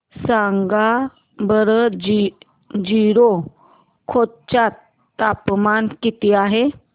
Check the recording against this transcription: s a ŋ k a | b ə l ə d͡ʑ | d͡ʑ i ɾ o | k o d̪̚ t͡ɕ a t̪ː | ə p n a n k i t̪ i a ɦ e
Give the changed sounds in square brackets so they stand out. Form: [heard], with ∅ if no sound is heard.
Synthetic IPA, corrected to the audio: s a ŋ [ɡ] a | b ə [ɾ] ə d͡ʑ | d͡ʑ i ɾ o | [kʰ] o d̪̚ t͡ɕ a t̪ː | [a] p [m] a n k i t̪ i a ɦ e